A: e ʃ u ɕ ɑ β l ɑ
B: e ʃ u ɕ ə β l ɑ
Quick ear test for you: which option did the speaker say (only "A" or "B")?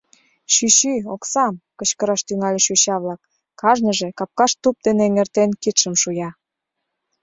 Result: A